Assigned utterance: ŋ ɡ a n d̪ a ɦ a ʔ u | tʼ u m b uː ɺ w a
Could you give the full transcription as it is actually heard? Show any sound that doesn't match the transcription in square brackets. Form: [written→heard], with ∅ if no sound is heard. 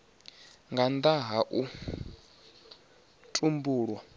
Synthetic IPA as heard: ŋ ɡ a n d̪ a ɦ a ʔ u | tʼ u m b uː ɺ w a